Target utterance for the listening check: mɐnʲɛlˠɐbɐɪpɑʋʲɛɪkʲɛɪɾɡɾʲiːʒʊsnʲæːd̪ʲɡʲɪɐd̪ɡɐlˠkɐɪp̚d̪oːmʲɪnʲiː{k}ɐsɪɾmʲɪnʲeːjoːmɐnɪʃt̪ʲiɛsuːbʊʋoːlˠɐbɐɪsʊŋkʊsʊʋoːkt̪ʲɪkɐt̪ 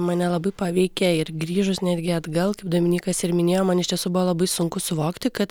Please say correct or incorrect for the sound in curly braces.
correct